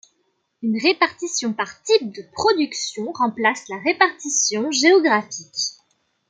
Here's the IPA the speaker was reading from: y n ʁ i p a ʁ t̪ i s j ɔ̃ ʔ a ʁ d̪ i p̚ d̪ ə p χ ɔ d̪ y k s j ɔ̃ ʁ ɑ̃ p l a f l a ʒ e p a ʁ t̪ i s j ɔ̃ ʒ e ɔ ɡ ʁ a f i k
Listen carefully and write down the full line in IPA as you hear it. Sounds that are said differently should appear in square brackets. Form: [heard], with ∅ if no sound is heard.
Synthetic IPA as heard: y n ʁ [e] p a ʁ t̪ i s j ɔ̃ [p] a ʁ [t̪] i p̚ d̪ ə p χ ɔ d̪ y k s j ɔ̃ ʁ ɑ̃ p l a [s] l a [ʁ] e p a ʁ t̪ i s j ɔ̃ ʒ e ɔ ɡ ʁ a f i k